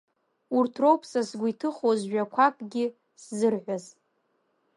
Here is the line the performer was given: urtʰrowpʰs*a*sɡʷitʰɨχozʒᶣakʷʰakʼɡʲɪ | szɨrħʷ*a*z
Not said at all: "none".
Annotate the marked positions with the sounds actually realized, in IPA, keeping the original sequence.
a, a

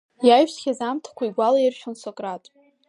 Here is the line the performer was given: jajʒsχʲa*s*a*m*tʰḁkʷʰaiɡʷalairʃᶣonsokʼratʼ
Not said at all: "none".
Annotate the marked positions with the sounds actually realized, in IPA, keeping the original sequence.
z, m

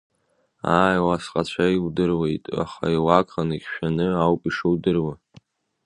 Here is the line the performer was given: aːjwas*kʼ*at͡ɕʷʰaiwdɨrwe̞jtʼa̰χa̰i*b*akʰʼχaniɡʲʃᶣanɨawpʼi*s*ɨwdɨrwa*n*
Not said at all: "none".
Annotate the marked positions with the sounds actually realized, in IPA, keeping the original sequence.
qʼ, w, ʂ, none

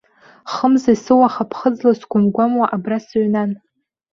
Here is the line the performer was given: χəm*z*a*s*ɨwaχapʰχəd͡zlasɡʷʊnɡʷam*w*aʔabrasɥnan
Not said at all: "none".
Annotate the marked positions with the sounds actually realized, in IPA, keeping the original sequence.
z, s, w

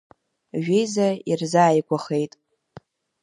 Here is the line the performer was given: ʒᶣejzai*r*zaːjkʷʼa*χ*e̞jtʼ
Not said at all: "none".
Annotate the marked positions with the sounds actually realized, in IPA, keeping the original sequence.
r, χ

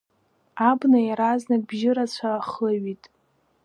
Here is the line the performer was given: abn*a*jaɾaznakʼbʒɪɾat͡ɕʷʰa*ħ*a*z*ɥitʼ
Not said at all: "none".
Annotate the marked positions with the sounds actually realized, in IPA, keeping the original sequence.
a, χ, none

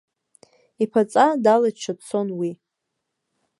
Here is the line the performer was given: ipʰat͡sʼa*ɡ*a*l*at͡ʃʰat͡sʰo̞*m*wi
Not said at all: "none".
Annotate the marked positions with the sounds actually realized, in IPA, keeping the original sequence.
d, l, n

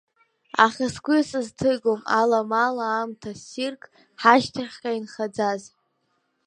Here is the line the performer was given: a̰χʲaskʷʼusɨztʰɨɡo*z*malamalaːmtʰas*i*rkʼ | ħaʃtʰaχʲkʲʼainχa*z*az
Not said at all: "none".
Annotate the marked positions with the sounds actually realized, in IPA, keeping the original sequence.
none, i, d͡z

